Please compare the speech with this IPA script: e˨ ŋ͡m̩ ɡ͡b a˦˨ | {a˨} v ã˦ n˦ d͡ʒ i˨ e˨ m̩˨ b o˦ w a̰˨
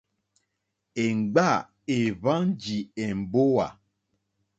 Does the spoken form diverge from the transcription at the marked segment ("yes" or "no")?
yes